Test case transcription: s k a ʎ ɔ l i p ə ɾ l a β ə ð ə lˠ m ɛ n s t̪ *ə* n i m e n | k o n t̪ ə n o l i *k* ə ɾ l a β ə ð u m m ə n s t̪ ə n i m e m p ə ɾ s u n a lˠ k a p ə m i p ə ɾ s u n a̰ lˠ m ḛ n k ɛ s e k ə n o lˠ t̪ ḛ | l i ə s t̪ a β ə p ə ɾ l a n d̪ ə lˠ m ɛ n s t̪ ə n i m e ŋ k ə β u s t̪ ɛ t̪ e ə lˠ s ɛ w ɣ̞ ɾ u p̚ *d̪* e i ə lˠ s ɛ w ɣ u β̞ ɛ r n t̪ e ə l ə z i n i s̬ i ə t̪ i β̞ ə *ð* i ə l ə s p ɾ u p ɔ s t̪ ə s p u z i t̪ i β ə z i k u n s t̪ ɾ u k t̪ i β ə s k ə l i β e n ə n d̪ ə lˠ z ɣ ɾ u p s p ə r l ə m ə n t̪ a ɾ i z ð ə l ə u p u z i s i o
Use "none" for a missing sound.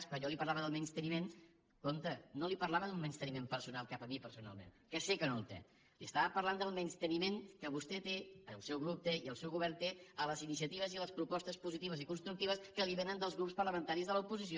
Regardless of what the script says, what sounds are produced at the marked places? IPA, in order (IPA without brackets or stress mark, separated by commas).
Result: ə, p, t̪, z